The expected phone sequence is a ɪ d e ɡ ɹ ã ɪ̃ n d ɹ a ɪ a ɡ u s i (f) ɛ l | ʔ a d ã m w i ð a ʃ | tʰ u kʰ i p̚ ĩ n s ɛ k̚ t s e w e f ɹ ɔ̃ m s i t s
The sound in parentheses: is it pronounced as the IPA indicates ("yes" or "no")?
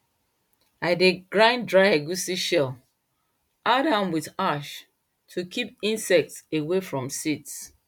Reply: no